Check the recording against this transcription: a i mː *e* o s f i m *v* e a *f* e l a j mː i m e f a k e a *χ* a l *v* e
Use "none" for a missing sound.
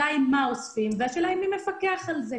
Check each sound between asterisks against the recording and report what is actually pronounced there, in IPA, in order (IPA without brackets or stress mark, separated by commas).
a, v, ʃ, χ, z